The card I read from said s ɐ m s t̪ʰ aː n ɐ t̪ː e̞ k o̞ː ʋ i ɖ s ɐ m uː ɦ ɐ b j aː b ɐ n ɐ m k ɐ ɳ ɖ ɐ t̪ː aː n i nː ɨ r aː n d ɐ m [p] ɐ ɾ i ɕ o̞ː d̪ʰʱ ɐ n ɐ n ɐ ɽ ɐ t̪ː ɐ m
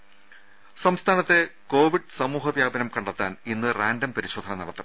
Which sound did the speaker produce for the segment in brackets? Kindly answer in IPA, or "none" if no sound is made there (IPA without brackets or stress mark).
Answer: p